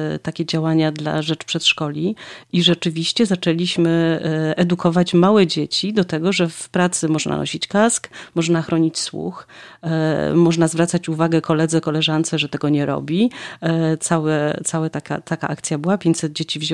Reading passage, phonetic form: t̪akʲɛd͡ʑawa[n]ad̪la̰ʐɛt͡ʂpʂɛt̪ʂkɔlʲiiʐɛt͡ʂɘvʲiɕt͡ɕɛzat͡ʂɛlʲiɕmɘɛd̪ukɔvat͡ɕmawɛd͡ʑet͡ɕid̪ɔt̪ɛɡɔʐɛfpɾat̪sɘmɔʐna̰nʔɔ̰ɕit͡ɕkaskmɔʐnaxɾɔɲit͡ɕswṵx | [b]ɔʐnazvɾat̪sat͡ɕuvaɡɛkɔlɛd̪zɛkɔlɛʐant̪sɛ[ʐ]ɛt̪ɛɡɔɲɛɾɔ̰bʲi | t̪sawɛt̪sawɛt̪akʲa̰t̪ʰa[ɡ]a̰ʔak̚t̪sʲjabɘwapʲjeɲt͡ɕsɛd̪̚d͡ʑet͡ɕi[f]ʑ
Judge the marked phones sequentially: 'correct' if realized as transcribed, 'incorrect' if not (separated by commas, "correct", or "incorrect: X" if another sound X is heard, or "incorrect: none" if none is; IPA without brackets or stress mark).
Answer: incorrect: ɲ, incorrect: m, correct, incorrect: k, incorrect: v